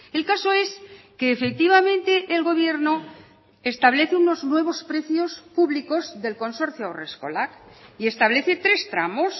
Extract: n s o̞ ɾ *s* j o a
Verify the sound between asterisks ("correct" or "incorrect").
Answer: incorrect